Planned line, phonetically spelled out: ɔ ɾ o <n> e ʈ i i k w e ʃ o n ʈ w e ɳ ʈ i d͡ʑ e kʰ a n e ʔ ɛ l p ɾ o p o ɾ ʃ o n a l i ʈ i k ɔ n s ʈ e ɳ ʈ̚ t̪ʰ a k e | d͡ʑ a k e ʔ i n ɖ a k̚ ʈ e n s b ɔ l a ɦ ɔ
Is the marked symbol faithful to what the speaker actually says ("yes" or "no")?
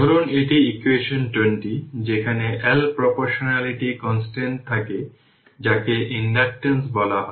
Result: yes